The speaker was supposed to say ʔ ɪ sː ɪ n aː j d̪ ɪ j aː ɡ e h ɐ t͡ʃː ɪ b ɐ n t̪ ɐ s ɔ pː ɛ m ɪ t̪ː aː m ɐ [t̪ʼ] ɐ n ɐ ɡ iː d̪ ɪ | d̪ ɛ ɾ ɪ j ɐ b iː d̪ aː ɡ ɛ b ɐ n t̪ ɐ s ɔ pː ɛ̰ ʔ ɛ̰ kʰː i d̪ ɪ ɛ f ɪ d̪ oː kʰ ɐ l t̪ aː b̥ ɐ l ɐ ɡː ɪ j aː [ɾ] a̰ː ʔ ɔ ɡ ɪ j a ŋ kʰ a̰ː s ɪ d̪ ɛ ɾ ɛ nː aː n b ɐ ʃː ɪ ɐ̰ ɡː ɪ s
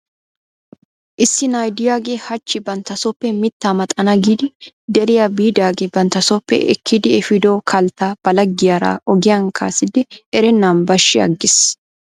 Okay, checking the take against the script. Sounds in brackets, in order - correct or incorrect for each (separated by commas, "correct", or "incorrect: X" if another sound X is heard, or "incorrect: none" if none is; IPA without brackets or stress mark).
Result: correct, correct